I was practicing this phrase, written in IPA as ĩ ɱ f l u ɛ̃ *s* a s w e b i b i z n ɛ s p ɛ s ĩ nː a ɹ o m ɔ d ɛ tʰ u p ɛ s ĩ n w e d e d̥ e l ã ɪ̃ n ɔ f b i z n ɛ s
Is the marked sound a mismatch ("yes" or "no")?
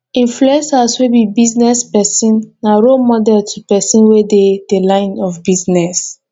no